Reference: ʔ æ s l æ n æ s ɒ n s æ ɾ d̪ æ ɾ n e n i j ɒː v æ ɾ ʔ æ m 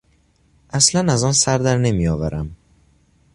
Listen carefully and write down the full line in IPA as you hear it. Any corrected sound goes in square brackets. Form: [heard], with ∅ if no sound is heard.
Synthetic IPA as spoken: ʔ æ s l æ n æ [z] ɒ n s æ ɾ d̪ æ ɾ n e [m] i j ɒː v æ ɾ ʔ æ m